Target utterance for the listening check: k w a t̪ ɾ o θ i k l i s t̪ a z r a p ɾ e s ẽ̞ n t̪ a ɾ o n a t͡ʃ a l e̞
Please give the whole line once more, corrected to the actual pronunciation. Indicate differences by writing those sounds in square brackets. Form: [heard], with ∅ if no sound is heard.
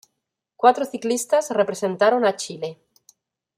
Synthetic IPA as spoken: k w a t̪ ɾ o θ i k l i s t̪ a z r [e] p ɾ e s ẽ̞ n t̪ a ɾ o n a t͡ʃ [i] l e̞